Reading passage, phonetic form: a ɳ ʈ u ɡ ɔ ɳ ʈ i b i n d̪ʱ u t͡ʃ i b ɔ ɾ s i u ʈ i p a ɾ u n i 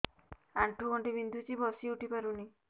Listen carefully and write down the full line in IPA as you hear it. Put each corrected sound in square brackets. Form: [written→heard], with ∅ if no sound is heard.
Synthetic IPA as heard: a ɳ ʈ u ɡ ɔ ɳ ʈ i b i n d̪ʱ u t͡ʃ i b ɔ [ɾ→∅] s i u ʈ i p a ɾ u n i

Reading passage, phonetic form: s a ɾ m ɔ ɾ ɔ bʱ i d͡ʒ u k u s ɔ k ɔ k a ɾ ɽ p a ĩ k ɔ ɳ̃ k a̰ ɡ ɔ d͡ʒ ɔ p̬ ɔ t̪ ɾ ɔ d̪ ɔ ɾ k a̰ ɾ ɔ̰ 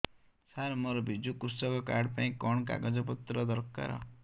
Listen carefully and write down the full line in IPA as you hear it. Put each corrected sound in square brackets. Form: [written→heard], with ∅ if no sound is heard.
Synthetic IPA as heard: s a ɾ m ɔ ɾ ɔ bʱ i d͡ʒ u k u s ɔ k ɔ k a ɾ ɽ p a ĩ k ɔ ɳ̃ k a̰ ɡ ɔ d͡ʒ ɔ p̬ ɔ t̪ ɾ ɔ d̪ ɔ ɾ k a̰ ɾ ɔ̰

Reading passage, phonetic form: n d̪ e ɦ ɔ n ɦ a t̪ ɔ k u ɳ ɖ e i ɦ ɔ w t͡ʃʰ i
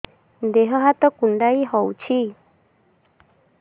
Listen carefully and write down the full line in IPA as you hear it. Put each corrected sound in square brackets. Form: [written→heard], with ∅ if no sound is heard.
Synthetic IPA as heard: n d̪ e ɦ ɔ [n→∅] ɦ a t̪ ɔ k u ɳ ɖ [e→a] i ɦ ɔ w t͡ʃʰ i

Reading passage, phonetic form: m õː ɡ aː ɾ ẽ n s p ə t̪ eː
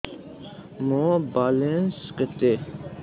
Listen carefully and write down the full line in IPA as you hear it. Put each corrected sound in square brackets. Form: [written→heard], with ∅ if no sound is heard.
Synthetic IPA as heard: m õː [ɡ→b] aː [ɾ→l] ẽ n s [p→k] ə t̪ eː

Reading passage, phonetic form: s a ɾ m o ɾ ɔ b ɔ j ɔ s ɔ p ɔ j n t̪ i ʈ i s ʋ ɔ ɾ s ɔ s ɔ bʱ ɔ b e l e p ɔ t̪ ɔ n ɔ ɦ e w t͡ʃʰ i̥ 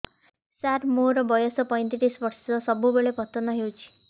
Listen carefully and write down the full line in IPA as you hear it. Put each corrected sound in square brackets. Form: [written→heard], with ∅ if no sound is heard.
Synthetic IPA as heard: s a ɾ m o ɾ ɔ b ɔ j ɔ s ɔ p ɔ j n t̪ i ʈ i s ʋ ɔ ɾ s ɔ s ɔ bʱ [ɔ→u] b e [l→ɭ] e p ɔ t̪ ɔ n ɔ ɦ e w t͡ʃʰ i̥

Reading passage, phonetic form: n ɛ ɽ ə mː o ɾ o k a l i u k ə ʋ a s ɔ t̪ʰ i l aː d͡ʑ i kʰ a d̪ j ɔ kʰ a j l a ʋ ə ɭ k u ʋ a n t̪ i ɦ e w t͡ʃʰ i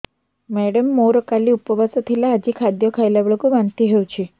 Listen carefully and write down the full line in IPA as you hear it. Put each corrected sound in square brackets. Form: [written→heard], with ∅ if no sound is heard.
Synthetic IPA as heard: [n→m] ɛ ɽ ə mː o ɾ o k a l i u [k→p] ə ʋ a s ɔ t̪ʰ i l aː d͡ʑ i kʰ a d̪ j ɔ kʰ a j l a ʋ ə ɭ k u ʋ a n t̪ i ɦ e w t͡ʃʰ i

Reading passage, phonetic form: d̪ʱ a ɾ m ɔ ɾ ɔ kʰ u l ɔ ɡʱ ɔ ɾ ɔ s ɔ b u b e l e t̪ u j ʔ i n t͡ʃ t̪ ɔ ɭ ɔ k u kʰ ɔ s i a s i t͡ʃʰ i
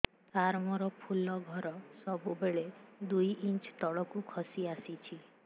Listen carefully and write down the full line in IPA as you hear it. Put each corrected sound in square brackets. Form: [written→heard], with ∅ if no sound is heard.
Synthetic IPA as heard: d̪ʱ a ɾ m ɔ ɾ ɔ [kʰ→pʰ] u l ɔ ɡʱ ɔ ɾ ɔ s ɔ b u b e [l→ɭ] e [t̪→d̪] u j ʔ i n t͡ʃ t̪ ɔ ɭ ɔ k u kʰ ɔ s i a s i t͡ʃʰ i

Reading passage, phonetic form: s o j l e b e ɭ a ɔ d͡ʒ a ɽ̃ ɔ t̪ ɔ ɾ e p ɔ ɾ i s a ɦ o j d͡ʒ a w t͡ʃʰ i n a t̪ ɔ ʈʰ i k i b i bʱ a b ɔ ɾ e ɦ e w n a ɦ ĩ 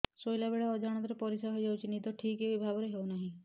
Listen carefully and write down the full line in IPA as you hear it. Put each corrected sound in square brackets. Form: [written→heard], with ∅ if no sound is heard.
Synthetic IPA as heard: s o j l [e→a] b e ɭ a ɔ d͡ʒ a ɽ̃ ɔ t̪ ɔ ɾ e p ɔ ɾ i s a ɦ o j d͡ʒ a w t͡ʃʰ i n [a→i] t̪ ɔ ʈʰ i k [i→e] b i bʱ a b ɔ ɾ e ɦ e w n a ɦ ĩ

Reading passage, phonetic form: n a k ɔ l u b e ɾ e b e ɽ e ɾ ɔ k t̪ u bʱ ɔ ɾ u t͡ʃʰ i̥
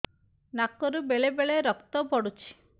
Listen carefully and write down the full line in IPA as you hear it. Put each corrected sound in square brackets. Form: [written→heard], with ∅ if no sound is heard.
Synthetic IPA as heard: n a k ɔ [l→ɾ] u b e [ɾ→ɭ] e b e [ɽ→ɭ] e ɾ ɔ k t̪ [u→ɔ] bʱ ɔ [ɾ→ɽ] u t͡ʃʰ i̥

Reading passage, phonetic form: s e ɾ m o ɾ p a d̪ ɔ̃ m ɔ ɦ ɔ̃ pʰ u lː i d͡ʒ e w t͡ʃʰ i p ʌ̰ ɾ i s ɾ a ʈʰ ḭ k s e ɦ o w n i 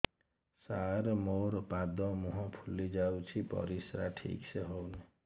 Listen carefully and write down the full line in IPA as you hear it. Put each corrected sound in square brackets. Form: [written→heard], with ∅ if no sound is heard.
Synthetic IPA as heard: s [e→a] ɾ m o ɾ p a d̪ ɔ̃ m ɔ ɦ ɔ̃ pʰ u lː i d͡ʒ [e→a] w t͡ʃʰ i p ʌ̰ ɾ i s ɾ a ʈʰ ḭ k s e ɦ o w n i

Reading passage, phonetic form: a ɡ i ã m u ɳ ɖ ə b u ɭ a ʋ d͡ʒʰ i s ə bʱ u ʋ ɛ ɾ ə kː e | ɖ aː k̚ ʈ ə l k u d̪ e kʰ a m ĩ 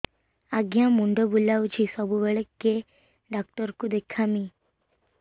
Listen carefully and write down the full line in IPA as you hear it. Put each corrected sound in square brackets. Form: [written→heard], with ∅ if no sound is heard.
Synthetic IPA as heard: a ɡ [i→j] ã m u ɳ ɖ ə b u [ɭ→l] a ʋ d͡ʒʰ i s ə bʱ u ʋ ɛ [ɾ→ɭ] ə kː e | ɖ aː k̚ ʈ ə [l→ɾ] k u d̪ e kʰ a m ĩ

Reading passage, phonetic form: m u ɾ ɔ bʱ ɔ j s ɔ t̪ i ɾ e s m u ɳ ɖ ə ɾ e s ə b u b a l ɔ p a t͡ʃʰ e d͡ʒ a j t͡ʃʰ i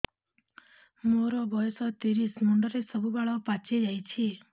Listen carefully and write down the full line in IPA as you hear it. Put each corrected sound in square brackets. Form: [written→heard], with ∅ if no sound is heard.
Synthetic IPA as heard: m [u→o] ɾ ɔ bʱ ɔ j s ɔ t̪ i ɾ [e→i] s m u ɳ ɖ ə ɾ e s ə b u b a [l→ɭ] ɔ p a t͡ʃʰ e d͡ʒ a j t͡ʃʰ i

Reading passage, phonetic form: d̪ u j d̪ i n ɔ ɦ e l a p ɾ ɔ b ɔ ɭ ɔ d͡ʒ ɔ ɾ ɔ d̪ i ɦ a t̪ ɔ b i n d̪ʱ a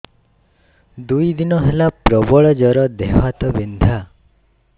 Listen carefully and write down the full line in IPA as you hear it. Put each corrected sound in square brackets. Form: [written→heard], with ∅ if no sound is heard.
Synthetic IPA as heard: d̪ u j d̪ i n ɔ ɦ e l a p ɾ ɔ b ɔ ɭ ɔ d͡ʒ ɔ ɾ ɔ d̪ [i→e] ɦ a t̪ ɔ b i n d̪ʱ a

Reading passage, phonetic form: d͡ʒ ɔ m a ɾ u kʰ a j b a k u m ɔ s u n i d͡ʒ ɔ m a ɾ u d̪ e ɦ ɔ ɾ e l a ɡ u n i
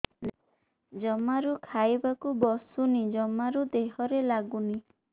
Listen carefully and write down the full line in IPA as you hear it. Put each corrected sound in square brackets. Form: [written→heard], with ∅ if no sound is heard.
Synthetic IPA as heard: d͡ʒ ɔ m a ɾ u kʰ a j b a k u [m→b] ɔ s u n i d͡ʒ ɔ m a ɾ u d̪ e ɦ ɔ ɾ e l a ɡ u n i

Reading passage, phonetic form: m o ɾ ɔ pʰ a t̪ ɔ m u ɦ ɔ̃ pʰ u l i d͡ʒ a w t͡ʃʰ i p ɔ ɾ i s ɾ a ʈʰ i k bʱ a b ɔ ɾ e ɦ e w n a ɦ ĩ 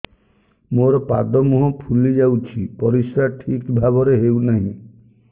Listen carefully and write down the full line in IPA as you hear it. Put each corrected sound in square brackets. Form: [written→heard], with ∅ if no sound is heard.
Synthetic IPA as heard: m o ɾ ɔ [pʰ→p] a [t̪→d̪] ɔ m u ɦ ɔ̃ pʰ u l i d͡ʒ a w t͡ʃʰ i p ɔ ɾ i s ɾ a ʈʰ i k bʱ a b ɔ ɾ e ɦ e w n a ɦ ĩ

